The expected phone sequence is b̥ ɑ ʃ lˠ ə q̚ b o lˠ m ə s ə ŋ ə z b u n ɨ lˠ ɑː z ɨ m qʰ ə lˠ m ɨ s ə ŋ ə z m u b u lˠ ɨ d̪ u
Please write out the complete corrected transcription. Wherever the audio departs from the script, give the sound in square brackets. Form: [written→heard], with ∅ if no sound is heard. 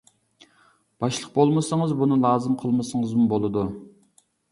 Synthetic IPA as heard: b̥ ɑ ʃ lˠ ə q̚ b o lˠ m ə s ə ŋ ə z b u n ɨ lˠ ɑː z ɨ m qʰ ə lˠ m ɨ s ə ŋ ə z m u b [u→o] lˠ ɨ d̪ u